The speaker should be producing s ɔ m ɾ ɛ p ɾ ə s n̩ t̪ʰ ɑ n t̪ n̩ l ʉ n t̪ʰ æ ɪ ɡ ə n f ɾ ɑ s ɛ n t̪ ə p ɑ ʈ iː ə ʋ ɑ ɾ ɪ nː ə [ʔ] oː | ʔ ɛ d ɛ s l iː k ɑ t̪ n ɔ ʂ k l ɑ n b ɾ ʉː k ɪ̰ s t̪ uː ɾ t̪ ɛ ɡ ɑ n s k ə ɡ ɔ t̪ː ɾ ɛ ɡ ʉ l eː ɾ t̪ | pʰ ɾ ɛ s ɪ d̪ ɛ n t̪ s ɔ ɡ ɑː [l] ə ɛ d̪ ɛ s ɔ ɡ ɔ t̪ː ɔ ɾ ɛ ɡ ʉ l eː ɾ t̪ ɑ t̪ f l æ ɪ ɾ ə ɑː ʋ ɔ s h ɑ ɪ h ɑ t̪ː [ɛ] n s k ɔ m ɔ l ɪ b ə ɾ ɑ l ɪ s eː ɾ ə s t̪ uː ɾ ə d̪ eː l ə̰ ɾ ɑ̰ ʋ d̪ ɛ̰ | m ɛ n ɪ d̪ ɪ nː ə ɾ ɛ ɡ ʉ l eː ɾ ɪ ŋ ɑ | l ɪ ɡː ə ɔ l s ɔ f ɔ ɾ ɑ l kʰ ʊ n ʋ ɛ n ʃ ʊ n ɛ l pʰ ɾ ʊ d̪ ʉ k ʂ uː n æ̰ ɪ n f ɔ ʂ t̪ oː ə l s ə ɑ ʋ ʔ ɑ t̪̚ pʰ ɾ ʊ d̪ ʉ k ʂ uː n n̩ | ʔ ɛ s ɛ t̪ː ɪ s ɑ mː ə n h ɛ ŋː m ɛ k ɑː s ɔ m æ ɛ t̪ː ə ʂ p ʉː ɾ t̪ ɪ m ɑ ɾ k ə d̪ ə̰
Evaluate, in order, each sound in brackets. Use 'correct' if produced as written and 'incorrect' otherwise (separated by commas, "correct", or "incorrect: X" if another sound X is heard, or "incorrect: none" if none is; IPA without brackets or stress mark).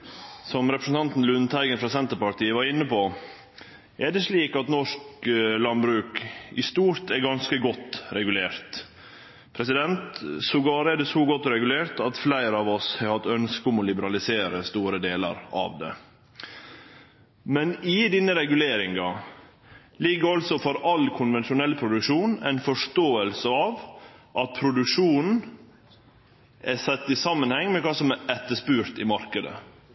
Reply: incorrect: p, incorrect: ɾ, incorrect: œ